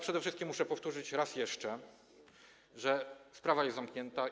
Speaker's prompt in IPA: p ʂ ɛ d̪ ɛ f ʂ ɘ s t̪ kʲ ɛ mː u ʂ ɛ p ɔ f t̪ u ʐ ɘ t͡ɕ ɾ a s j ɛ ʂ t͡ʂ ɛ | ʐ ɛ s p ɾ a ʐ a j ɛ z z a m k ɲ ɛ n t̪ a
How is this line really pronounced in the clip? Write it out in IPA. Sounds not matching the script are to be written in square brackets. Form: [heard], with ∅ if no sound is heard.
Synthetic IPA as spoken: p ʂ ɛ d̪ ɛ f ʂ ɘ s t̪ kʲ [i] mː u ʂ ɛ p ɔ f t̪ u ʐ ɘ t͡ɕ ɾ a s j ɛ ʂ t͡ʂ ɛ | ʐ ɛ s p ɾ a [v] a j ɛ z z a m k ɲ ɛ n t̪ a